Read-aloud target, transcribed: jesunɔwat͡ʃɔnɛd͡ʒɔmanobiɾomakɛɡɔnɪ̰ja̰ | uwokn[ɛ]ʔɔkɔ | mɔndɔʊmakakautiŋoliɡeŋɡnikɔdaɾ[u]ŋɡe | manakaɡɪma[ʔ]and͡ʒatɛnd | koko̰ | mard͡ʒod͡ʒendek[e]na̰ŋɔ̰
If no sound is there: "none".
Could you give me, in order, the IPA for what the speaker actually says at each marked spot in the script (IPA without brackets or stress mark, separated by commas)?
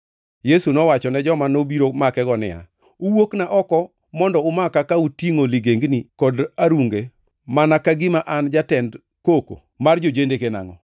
a, u, ʔ, e